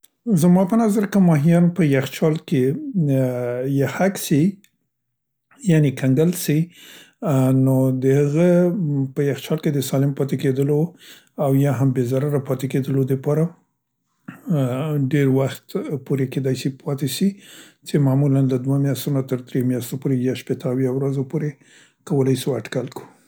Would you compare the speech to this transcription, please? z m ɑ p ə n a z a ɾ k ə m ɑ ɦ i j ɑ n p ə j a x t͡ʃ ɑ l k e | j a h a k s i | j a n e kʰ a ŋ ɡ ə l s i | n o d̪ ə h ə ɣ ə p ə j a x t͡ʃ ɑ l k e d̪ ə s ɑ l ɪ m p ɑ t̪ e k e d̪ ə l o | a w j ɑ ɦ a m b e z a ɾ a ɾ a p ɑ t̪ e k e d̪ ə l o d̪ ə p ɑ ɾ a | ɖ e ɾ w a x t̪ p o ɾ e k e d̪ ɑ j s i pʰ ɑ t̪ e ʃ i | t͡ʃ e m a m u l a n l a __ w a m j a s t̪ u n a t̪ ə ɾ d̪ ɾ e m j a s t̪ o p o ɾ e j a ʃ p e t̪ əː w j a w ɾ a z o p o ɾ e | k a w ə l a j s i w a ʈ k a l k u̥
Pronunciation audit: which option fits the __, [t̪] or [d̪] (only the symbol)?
d̪